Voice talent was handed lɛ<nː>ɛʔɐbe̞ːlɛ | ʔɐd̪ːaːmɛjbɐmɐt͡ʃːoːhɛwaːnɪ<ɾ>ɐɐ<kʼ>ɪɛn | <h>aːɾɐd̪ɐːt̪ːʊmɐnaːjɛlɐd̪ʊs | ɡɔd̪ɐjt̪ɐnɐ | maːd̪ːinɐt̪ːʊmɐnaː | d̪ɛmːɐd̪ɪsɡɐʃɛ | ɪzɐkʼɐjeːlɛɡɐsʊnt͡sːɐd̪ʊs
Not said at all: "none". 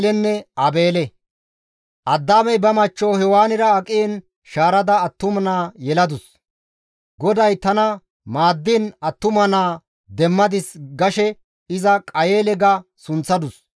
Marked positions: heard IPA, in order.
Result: nː, ɾ, kʼ, ʃ

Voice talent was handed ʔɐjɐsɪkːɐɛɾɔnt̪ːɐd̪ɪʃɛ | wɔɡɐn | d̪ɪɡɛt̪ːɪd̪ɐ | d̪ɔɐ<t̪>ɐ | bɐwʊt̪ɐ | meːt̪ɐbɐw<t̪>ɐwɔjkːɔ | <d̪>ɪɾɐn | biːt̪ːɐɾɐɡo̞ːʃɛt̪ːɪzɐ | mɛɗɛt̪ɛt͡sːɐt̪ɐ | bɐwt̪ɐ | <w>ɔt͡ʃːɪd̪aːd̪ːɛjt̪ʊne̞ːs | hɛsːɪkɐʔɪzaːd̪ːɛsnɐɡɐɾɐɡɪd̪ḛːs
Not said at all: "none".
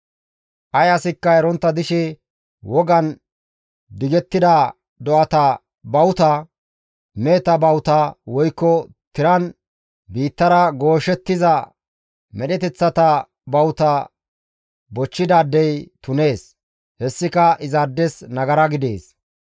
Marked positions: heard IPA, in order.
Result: t̪, t̪, t̪, b

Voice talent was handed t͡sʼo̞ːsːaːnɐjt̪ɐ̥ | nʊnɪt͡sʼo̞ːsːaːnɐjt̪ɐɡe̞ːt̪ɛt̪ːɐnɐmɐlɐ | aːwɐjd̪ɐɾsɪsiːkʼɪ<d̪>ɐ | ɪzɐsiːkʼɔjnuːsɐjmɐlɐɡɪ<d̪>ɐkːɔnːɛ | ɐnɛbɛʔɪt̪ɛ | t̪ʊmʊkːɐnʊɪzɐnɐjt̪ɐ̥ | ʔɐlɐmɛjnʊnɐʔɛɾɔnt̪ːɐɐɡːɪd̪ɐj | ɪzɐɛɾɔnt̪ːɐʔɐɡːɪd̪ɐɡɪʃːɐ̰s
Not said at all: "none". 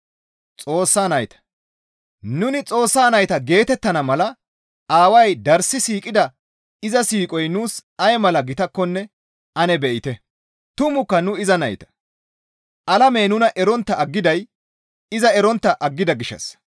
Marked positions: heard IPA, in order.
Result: d̪, t̪

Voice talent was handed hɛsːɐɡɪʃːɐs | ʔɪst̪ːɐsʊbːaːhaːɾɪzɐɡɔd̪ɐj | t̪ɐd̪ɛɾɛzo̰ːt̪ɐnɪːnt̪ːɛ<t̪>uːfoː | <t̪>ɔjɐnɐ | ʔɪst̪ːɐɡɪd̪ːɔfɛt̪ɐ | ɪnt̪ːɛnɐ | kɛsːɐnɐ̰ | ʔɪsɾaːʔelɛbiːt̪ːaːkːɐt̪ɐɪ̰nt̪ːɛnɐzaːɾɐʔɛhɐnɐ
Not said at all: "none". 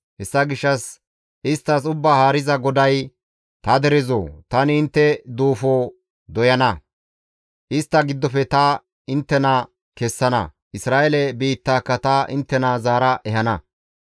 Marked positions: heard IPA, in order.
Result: d̪, d̪

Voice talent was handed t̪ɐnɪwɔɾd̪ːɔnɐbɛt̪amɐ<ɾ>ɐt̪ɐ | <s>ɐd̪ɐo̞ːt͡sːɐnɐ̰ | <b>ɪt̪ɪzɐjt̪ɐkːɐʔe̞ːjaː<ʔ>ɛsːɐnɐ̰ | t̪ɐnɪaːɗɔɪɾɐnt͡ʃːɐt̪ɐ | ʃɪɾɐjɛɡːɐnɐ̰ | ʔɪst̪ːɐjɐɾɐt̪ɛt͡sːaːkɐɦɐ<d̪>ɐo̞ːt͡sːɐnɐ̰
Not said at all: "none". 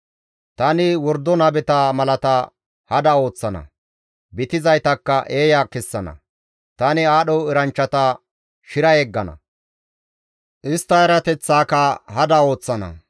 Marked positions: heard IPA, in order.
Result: l, h, b, k, d̪

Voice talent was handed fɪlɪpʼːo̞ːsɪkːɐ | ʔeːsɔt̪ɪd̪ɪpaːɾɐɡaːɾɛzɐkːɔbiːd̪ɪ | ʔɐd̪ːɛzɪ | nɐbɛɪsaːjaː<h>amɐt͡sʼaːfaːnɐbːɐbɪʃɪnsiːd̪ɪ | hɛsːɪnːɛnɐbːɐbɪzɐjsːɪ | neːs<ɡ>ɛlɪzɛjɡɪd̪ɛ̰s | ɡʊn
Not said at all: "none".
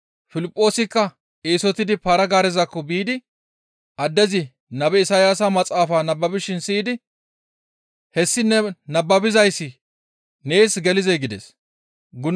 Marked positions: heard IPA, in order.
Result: s, ɡ

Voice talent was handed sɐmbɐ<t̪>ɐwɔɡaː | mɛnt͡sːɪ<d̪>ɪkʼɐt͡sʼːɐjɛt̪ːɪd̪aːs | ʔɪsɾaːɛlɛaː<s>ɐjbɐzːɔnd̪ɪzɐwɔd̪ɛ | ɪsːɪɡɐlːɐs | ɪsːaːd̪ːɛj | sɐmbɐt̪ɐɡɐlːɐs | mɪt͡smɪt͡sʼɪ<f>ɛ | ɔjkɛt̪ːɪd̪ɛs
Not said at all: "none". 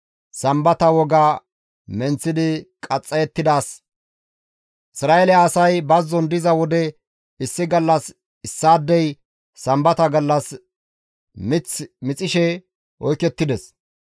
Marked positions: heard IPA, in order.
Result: t̪, d̪, s, ʃ

